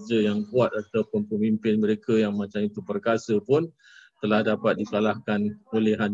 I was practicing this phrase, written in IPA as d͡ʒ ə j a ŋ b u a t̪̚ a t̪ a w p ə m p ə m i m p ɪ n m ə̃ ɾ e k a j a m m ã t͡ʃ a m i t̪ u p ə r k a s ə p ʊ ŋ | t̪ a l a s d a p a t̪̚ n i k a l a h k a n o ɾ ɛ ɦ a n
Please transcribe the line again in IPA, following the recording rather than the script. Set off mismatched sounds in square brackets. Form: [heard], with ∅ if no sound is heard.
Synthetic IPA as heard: d͡ʒ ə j a ŋ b u a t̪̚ a t̪ a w p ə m p ə m i m p ɪ n m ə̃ ɾ e k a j a [ŋ] m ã t͡ʃ a m i t̪ u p ə r k a s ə p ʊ [n] | t̪ [ə] l a [h] d a p a t̪̚ [d] i k a l a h k a n o [l] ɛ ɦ a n